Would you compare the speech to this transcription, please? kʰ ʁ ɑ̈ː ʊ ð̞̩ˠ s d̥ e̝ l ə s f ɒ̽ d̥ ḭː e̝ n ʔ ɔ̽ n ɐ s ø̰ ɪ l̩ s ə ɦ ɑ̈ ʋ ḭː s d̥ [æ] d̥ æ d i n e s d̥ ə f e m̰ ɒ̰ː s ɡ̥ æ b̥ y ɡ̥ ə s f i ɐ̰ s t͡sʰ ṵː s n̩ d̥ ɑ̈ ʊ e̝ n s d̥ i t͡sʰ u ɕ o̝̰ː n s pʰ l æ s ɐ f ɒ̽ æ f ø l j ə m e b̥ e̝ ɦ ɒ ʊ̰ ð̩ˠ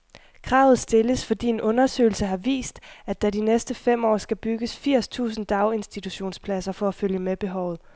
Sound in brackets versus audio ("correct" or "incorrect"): correct